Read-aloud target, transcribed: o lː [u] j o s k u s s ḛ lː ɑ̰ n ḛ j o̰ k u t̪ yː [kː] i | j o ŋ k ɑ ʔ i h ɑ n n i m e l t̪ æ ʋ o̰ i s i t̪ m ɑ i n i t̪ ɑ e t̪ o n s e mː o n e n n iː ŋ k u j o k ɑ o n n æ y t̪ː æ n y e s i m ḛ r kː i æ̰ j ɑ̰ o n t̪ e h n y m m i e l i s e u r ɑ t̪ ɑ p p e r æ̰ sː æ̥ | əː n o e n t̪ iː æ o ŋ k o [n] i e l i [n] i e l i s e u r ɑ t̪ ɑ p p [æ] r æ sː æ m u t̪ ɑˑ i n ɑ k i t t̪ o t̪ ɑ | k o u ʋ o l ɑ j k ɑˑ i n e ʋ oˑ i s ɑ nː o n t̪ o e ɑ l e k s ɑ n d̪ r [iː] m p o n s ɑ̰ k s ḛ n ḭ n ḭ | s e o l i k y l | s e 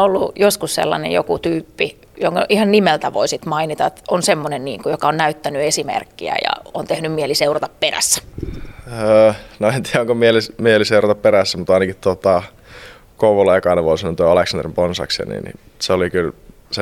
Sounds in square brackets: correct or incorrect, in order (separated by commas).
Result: correct, incorrect, incorrect, incorrect, incorrect, incorrect